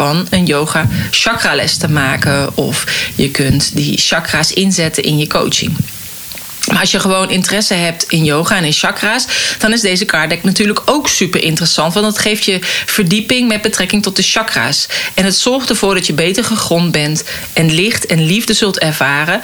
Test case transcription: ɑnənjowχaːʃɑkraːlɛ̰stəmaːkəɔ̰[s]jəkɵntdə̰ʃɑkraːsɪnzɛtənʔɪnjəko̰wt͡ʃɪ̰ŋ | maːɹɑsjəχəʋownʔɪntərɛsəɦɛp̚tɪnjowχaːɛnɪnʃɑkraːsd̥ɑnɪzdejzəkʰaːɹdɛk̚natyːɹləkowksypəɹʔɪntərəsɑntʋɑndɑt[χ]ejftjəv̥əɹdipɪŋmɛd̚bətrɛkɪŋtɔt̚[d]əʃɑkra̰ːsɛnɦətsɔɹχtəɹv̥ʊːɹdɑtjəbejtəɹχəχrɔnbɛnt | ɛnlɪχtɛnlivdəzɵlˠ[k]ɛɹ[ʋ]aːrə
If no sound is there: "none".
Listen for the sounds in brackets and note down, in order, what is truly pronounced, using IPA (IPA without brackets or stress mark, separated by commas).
f, χ, d, t, v